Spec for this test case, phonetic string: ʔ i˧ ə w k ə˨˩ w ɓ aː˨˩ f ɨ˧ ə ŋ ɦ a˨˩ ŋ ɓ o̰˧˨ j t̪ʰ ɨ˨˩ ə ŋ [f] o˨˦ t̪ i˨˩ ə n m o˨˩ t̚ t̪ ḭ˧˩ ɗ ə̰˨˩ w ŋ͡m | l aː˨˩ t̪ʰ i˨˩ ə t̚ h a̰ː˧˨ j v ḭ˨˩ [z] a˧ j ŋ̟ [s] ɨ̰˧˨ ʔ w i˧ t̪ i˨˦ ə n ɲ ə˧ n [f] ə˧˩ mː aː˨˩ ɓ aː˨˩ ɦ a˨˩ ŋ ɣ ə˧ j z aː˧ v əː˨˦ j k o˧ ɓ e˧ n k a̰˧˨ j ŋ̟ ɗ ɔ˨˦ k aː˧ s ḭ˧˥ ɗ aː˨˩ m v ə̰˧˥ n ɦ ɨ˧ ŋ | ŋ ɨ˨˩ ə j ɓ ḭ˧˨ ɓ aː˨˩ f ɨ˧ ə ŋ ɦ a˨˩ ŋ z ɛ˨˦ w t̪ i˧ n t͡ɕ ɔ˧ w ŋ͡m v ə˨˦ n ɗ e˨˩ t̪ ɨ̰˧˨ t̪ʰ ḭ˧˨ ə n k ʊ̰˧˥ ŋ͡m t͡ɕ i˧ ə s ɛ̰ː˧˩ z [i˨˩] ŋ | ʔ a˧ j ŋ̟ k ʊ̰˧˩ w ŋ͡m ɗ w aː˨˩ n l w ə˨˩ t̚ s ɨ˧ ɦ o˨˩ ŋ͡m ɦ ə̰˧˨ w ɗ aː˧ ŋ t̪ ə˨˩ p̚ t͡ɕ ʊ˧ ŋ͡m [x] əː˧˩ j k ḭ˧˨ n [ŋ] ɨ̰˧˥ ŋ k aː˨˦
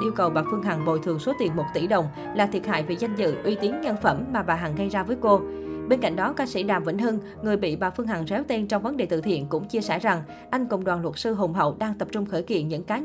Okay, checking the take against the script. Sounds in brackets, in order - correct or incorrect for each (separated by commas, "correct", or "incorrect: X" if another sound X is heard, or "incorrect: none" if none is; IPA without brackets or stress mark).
incorrect: s, correct, incorrect: z, correct, incorrect: a˨˩, correct, incorrect: ɲ